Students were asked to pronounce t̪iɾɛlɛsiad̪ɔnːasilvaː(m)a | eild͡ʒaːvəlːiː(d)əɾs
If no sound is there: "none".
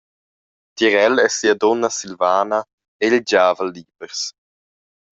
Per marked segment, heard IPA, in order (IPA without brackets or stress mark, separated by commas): n, b